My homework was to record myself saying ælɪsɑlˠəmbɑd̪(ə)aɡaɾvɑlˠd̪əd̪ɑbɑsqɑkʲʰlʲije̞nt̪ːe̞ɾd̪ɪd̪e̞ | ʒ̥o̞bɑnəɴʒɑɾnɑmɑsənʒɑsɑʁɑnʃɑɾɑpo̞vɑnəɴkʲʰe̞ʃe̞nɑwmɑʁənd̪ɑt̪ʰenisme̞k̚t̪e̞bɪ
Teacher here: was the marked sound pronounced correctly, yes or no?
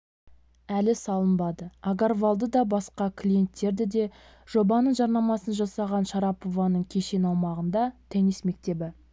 yes